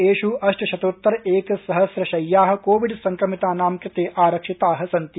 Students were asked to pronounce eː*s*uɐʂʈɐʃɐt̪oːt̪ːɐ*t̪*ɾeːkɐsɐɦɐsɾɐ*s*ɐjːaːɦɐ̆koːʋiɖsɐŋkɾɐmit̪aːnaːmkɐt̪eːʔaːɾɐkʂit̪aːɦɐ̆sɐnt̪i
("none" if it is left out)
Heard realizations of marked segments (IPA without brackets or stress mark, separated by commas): ʃ, none, ʃ